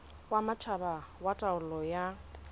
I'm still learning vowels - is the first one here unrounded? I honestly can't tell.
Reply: yes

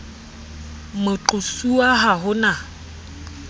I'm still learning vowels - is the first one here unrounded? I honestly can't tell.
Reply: no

